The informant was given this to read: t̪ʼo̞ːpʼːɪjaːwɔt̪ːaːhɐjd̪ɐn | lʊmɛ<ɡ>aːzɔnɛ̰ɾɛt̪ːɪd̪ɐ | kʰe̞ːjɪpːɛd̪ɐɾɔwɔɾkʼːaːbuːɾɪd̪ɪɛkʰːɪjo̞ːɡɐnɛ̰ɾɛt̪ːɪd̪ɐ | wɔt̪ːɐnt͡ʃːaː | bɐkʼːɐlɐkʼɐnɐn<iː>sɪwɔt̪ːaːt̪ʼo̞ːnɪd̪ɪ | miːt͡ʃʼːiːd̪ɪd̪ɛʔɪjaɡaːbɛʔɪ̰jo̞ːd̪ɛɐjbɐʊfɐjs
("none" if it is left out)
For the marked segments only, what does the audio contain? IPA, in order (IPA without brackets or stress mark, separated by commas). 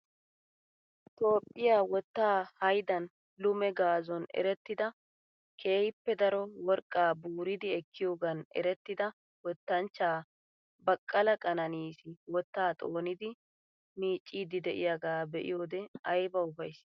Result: ɡ, iː